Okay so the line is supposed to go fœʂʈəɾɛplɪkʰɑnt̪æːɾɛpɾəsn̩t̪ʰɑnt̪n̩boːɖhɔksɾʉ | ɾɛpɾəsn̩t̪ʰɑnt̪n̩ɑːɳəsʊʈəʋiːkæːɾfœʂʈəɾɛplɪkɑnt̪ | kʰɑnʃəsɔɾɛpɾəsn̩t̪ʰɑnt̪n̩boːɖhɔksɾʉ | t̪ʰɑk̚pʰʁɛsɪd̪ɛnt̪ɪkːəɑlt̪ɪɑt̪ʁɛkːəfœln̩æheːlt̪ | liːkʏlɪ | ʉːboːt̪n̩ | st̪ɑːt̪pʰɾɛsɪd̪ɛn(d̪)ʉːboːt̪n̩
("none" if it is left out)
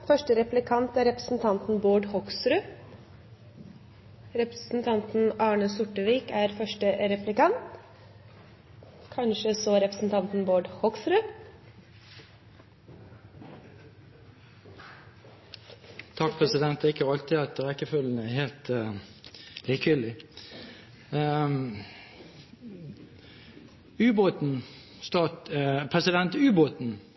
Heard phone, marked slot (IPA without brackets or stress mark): t̪